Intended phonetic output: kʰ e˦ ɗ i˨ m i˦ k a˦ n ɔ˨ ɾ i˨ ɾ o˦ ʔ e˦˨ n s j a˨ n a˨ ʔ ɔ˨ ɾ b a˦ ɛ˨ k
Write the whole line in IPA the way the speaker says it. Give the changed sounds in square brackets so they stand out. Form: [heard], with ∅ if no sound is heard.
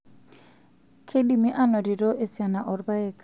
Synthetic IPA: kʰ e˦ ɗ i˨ m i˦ [ʔ] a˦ n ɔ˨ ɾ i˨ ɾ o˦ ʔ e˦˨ [∅] s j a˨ n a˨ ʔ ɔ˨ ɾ b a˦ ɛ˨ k